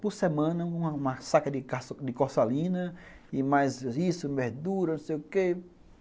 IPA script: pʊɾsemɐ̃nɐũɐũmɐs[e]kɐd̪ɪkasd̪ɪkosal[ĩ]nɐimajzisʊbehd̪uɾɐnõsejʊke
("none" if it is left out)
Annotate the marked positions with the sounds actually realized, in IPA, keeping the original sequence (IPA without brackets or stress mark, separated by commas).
a, ĩ